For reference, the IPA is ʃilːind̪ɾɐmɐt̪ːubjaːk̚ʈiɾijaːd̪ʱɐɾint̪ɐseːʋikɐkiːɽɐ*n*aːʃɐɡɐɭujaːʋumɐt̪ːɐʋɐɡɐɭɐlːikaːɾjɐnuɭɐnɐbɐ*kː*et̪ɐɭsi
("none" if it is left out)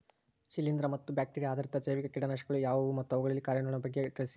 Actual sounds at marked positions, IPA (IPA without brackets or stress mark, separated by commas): n, ɡː